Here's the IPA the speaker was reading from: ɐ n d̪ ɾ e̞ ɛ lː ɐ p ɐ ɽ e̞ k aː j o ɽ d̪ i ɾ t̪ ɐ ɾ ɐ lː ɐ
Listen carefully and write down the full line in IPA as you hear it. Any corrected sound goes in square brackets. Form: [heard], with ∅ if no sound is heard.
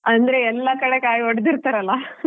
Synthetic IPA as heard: ɐ n d̪ ɾ e̞ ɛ lː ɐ [k] ɐ ɽ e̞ k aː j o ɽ d̪ i ɾ t̪ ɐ ɾ ɐ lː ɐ